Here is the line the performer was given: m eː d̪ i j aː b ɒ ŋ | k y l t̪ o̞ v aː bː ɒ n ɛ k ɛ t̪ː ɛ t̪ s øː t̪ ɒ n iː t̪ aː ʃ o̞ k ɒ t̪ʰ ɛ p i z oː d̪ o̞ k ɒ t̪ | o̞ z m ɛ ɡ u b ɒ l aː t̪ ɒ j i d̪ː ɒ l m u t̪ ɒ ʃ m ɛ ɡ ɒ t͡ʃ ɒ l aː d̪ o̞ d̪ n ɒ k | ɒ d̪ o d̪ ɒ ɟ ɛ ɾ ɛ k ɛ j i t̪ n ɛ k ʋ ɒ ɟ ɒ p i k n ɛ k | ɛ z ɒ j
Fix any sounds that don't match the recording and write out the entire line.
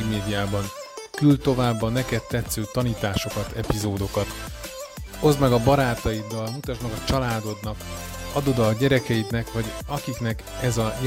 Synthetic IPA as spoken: m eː d̪ i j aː b ɒ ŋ | k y l t̪ o̞ v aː bː ɒ n ɛ k ɛ t̪ː ɛ t̪ s øː t̪ ɒ n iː t̪ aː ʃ o̞ k ɒ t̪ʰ ɛ p i z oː d̪ o̞ k ɒ t̪ | o̞ z m ɛ ɡ ɒ b ɒ ɾ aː t̪ ɒ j i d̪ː ɒ l m u t̪ ɒ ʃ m ɛ ɡ ɒ t͡ʃ ɒ l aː d̪ o̞ d̪ n ɒ k | ɒ d̪ o d̪ ɒ ɟ ɛ ɾ ɛ k ɛ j i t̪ n ɛ k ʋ ɒ ɟ ɒ k i k n ɛ k | ɛ z ɒ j